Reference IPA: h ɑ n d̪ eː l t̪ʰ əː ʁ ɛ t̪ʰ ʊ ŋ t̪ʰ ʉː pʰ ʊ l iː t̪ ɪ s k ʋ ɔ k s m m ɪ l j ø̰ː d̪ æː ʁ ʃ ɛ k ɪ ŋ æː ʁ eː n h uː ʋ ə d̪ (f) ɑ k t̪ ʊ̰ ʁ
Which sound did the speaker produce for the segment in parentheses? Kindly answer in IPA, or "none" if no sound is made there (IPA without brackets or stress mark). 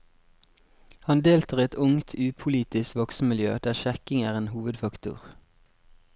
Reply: f